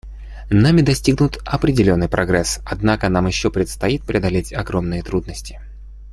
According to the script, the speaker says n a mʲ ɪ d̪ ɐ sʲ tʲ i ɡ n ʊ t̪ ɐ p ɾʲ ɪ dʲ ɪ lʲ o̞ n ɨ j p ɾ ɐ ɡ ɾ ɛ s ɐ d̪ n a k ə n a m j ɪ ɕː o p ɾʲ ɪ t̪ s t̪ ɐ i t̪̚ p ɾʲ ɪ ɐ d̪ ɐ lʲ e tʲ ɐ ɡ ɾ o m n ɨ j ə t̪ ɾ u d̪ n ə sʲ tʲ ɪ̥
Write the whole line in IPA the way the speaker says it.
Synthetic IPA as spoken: n a mʲ ɪ d̪ ɐ sʲ tʲ i ɡ n ʊ t̪ ɐ p ɾʲ ɪ dʲ ɪ lʲ o̞ nː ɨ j p ɾ ɐ ɡ ɾ ɛ s ɐ d̪ n a k ə n a m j ɪ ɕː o p ɾʲ ɪ t̪ s t̪ ɐ i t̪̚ p ɾʲ ɪ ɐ d̪ ɐ lʲ e tʲ ɐ ɡ ɾ o m n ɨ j ə t̪ ɾ u d̪ n ə sʲ tʲ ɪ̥